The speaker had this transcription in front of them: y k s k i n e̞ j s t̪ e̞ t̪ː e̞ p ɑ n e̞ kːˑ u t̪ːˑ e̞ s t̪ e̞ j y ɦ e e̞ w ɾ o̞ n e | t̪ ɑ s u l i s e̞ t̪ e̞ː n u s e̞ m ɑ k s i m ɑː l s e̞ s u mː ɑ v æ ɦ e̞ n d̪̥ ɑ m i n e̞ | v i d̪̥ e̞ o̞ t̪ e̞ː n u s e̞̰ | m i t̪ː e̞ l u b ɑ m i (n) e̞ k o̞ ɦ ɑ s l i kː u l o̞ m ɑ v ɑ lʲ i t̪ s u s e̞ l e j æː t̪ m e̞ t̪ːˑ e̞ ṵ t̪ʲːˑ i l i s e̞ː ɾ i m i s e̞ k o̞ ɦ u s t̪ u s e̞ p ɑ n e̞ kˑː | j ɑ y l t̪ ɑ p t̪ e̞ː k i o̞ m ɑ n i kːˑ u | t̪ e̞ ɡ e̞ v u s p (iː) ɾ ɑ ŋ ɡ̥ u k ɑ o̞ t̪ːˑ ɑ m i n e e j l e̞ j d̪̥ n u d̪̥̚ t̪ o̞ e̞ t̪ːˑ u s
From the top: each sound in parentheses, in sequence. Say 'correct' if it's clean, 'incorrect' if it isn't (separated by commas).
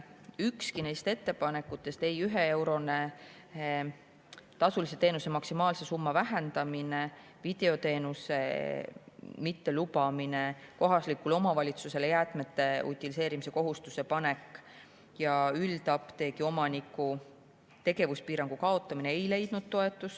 correct, correct